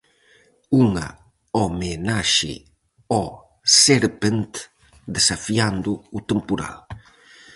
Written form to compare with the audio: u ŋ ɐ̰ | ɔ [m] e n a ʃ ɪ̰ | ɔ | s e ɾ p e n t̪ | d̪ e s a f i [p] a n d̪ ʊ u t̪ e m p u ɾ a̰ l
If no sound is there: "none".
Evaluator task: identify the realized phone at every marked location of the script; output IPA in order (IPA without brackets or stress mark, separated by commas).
m, none